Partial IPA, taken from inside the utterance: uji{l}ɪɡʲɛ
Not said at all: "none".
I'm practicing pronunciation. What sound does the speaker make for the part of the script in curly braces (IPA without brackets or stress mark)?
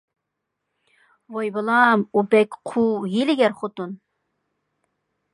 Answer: l